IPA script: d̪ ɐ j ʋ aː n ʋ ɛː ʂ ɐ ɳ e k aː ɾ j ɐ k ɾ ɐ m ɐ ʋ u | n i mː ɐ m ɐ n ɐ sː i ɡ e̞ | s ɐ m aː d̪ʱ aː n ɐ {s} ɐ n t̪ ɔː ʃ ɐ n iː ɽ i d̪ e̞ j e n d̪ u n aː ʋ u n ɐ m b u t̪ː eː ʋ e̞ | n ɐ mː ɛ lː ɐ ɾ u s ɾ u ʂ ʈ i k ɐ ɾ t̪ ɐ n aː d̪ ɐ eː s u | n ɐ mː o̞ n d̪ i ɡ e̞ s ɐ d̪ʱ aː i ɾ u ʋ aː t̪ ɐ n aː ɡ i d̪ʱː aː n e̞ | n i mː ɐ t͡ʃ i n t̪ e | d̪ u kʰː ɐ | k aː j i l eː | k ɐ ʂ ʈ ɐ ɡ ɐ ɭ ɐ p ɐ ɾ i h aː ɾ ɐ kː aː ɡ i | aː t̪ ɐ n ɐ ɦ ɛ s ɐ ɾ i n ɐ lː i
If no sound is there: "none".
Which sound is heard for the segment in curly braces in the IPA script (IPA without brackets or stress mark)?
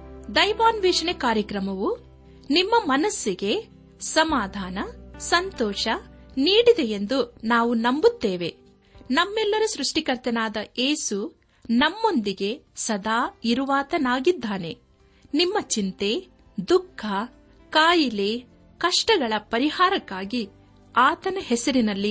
s